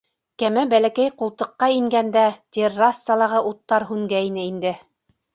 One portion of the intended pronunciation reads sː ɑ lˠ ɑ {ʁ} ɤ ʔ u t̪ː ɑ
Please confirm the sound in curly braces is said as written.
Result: yes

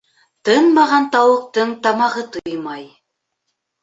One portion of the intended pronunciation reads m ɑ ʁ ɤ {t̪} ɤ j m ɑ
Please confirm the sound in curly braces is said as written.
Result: yes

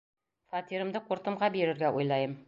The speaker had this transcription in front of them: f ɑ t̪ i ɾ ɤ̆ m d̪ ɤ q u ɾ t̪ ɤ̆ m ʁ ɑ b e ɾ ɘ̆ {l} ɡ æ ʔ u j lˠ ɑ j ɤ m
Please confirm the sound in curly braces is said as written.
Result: no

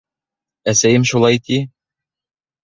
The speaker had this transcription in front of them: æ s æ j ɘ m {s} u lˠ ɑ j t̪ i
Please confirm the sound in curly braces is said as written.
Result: no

